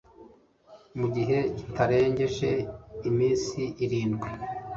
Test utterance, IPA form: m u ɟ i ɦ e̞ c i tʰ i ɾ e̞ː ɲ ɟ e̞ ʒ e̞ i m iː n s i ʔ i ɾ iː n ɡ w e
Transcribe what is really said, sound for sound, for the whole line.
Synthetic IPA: m u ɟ i ɦ e̞ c i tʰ a ɾ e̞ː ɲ ɟ e̞ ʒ e̞ i m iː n s i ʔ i ɾ iː n ɡ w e